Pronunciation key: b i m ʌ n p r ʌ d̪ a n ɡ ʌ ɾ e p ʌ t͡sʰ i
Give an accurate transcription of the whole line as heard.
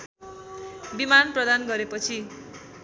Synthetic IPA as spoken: b i m a n p r ʌ d̪ a n ɡ ʌ ɾ e p ʌ t͡sʰ i